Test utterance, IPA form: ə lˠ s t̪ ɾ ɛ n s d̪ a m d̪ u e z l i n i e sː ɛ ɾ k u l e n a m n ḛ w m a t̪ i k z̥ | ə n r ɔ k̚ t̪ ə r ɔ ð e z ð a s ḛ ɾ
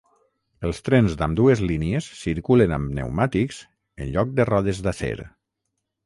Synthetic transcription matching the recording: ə lˠ s t̪ ɾ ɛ n z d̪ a m d̪ u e z l i n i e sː i ɾ k u l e n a m n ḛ w m a t̪ i k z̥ | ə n ʎ ɔ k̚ d̪ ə r ɔ ð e z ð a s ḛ ɾ